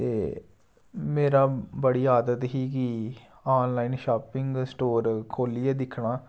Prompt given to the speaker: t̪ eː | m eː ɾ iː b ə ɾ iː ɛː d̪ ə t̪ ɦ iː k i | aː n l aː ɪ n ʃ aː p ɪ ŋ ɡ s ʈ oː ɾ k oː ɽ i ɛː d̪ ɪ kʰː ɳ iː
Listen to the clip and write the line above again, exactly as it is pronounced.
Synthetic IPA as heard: t̪ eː | m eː ɾ aː b ə ɽ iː aː d̪ ə t̪ ɦ iː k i | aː n l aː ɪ n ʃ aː p ɪ ŋ ɡ s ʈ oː ɾ kʰ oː l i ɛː d̪ ɪ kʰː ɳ aː